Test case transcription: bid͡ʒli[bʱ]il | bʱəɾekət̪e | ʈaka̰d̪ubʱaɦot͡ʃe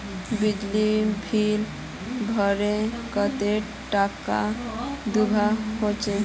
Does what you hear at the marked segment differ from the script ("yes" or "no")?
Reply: no